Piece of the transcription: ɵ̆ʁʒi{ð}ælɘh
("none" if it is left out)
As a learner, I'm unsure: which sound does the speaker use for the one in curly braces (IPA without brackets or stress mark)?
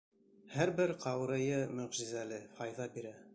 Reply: z